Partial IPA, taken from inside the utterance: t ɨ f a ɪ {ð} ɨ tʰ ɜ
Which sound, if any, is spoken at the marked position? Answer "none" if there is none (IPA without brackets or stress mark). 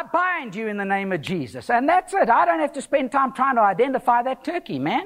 ð